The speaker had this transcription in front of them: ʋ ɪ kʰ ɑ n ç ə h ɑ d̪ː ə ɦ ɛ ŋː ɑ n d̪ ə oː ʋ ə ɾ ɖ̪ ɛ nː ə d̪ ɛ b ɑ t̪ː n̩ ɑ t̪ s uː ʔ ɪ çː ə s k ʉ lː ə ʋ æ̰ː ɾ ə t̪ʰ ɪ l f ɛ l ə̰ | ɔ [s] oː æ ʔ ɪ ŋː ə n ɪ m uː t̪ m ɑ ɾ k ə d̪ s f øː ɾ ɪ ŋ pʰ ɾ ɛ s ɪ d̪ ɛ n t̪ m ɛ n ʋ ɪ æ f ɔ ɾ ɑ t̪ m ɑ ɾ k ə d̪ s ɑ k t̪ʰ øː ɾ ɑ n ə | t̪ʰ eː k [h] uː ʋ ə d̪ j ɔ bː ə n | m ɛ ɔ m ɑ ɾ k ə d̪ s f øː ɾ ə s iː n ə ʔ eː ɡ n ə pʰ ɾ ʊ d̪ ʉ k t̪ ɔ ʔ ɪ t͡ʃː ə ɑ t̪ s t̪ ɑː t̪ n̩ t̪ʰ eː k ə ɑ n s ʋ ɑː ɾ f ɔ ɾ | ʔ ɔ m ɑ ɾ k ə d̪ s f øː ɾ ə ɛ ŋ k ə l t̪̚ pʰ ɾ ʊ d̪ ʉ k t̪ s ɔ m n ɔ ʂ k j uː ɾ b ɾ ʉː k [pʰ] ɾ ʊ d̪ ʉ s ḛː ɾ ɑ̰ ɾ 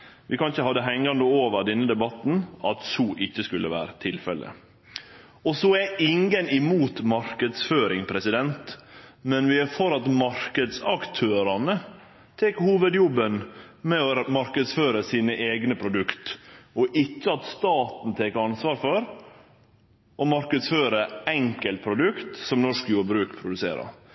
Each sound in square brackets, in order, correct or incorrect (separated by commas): correct, correct, correct